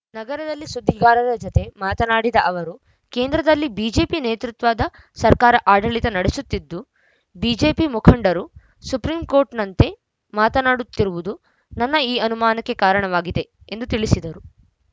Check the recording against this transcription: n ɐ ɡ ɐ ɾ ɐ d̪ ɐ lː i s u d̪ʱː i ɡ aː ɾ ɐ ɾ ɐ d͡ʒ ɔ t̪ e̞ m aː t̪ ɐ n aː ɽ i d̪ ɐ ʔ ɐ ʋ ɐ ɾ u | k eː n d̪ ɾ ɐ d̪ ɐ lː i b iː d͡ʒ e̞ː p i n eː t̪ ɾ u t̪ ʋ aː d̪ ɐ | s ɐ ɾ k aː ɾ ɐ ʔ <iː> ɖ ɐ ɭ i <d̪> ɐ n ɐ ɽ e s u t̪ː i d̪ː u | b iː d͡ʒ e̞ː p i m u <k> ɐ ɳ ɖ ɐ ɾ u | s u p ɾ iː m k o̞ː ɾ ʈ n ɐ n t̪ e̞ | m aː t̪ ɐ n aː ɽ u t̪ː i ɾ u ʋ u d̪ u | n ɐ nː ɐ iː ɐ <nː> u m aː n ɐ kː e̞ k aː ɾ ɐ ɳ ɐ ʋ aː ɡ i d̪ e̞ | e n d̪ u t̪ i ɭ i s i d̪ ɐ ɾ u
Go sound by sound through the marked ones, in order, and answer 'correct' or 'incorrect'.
incorrect: aː, incorrect: t̪, incorrect: kʰ, incorrect: n

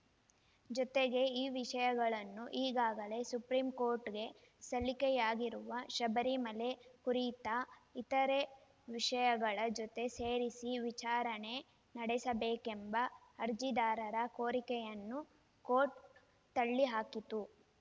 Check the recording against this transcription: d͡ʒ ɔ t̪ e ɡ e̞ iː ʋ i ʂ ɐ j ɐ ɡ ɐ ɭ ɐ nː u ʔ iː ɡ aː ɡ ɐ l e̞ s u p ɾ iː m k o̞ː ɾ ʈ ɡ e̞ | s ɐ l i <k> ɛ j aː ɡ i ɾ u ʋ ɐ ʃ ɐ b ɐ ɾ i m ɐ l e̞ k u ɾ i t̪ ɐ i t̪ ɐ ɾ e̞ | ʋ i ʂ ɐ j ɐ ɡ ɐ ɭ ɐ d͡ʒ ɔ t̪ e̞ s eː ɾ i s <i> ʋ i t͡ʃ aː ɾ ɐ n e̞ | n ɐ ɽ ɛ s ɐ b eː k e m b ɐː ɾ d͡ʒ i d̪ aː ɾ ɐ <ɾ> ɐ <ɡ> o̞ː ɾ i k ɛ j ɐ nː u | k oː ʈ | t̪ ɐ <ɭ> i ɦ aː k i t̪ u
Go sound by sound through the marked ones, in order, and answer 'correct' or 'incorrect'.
correct, correct, correct, incorrect: k, incorrect: ɭː

